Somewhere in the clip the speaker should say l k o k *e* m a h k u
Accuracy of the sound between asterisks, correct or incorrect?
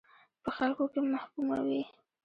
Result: correct